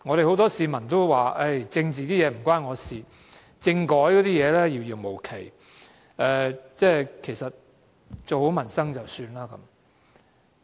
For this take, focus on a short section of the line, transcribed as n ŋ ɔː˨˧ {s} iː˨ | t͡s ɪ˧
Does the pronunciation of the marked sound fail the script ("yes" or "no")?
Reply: no